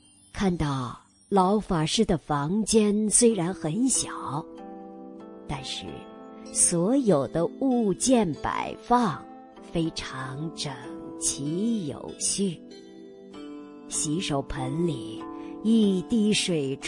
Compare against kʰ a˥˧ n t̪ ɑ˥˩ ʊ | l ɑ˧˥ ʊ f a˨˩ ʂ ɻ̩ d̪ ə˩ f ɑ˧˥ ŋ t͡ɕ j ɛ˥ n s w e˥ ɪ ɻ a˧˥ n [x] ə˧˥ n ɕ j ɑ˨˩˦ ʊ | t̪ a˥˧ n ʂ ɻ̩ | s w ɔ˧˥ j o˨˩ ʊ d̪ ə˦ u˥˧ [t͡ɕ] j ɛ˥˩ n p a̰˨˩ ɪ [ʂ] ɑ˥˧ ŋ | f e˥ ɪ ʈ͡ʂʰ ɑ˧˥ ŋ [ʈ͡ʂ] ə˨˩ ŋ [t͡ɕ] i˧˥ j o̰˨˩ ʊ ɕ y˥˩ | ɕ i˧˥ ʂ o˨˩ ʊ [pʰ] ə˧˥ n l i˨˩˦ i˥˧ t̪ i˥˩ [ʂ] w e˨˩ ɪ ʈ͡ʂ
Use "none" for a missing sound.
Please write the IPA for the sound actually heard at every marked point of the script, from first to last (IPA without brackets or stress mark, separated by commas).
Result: x, t͡ɕ, f, ʈ͡ʂ, t͡ɕʰ, pʰ, ʂ